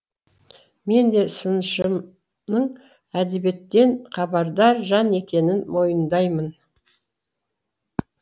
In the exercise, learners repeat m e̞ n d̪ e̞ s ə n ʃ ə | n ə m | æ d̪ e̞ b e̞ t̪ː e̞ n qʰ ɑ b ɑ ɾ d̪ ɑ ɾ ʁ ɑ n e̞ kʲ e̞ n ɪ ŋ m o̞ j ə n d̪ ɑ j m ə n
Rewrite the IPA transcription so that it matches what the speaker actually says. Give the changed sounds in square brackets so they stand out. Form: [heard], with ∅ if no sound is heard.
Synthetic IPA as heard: m e̞ n d̪ e̞ s ə n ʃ ə | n ə [ɴ] | æ d̪ e̞ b e̞ t̪ː e̞ n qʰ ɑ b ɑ ɾ d̪ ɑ ɾ [ʒ] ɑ n e̞ kʲ e̞ n ɪ [n] m o̞ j ə n d̪ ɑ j m ə n